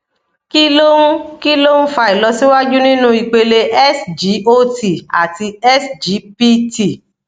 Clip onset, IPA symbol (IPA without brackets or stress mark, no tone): k